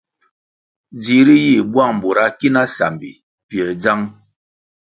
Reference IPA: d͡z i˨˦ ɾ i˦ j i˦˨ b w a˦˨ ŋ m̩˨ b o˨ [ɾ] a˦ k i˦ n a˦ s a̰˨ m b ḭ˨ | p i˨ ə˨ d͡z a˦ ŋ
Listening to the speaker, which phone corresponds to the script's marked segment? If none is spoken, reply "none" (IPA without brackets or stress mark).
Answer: ɾ